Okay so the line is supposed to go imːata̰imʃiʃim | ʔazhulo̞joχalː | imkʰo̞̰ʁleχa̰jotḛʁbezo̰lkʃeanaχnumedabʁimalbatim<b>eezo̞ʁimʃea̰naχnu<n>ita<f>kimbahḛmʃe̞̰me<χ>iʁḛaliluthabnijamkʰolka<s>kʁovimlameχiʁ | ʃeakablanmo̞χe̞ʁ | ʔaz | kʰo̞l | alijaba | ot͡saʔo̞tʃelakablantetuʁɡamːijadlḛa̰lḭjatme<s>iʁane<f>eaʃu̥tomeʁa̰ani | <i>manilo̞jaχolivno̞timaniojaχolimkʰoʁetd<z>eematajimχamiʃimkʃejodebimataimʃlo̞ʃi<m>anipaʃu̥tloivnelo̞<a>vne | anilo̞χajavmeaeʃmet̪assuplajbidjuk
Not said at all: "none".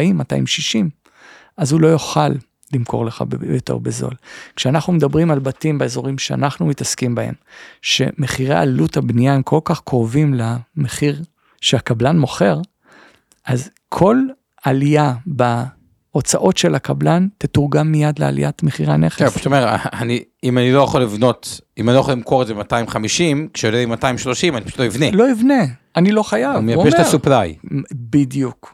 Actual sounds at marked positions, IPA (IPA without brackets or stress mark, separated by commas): b, m, s, χ, χ, χ, χ, i, z, m, i